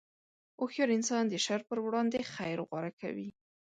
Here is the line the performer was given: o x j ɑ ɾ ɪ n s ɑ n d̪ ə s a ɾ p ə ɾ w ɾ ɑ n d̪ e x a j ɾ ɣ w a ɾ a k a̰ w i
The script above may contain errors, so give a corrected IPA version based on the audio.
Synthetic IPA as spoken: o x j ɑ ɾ ɪ n s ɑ n d̪ ə ʃ a ɾ p ə ɾ w ɽ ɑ n d̪ e x a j ɾ ɣ w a ɾ a k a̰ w i